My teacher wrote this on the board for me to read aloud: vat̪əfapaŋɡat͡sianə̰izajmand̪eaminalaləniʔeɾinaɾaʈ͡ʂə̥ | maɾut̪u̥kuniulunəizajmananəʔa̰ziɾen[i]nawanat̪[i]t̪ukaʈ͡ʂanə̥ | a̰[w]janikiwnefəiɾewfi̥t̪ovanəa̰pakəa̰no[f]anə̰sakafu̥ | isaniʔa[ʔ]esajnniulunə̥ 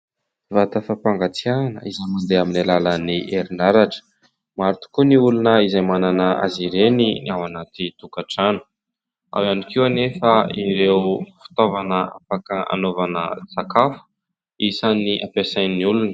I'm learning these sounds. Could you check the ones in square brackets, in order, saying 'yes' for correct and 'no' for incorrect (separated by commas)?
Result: yes, yes, yes, no, no